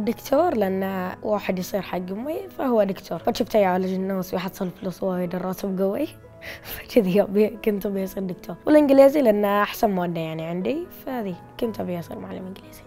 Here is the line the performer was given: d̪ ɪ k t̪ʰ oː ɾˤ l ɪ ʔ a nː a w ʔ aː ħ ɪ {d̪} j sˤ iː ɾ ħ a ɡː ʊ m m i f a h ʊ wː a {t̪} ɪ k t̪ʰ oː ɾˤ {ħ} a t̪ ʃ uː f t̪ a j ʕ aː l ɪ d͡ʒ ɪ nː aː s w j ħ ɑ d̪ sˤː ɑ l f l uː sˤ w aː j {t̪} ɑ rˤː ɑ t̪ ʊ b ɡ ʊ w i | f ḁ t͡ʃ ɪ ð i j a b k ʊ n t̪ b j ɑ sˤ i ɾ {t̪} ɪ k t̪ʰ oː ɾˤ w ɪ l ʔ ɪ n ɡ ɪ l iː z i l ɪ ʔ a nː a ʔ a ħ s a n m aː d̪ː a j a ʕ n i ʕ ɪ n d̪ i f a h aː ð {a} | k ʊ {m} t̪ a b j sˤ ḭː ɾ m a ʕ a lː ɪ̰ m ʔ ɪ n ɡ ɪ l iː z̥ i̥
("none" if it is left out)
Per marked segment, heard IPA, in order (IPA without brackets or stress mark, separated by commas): d̪, d̪, f, d̪, d̪, i, n